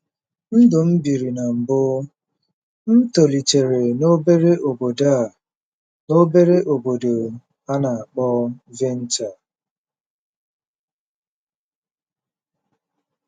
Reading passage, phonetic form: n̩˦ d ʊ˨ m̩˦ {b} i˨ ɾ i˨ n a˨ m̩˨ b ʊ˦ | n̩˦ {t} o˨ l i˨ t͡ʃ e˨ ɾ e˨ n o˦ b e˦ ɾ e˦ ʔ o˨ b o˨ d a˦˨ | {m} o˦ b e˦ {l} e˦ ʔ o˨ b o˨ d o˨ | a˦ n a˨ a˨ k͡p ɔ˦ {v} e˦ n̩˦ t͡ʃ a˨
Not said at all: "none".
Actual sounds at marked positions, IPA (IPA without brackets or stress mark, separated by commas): b, t, n, ɾ, v